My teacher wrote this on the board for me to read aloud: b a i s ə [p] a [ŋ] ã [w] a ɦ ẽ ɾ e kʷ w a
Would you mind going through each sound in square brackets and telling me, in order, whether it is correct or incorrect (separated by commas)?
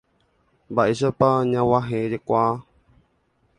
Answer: correct, incorrect, correct